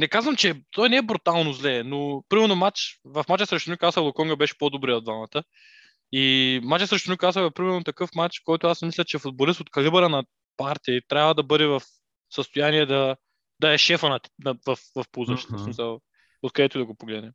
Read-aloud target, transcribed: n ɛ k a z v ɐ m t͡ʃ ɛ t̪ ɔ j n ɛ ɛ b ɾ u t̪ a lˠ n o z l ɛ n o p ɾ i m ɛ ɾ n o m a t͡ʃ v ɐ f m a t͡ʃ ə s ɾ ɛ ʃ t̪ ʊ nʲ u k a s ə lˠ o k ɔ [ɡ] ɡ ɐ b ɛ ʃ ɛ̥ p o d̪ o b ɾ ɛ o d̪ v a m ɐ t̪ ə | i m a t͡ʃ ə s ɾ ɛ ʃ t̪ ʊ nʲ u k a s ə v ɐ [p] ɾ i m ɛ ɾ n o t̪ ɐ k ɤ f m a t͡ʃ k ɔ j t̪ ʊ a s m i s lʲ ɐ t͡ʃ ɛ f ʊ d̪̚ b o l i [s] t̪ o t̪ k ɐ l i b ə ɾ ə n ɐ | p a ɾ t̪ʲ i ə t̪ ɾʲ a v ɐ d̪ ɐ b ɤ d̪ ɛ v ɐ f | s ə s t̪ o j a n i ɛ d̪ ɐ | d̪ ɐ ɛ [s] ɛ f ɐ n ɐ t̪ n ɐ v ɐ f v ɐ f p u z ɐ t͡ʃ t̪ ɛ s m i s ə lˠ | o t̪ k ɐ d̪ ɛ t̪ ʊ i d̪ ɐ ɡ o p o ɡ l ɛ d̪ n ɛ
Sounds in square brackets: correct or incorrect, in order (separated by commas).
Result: incorrect, correct, correct, incorrect